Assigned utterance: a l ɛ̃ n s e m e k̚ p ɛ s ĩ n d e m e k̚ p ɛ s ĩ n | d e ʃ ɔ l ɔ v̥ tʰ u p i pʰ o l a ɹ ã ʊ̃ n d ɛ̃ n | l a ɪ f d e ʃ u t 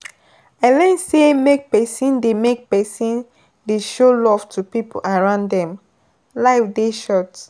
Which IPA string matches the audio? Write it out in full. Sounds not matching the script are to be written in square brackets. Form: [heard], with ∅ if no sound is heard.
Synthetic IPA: a l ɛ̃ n s e m e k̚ p ɛ s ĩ n d e m e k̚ p ɛ s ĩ n | d e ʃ [o] l ɔ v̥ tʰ u p i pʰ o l a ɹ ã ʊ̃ n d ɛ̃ [m] | l a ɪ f d e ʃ [ɔ] t